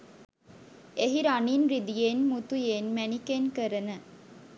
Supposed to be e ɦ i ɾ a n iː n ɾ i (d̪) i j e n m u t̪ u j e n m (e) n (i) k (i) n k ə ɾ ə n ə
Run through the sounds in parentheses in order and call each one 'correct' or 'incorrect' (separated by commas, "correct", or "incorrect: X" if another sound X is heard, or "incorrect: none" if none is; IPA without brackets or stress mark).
correct, incorrect: æ, correct, incorrect: e